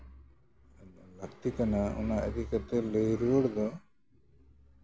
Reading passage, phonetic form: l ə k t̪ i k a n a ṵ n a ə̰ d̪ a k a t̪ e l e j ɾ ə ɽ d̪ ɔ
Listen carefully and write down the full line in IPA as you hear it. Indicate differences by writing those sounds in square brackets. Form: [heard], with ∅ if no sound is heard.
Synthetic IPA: l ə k t̪ i k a n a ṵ n a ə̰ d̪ [i] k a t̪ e l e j ɾ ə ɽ d̪ ɔ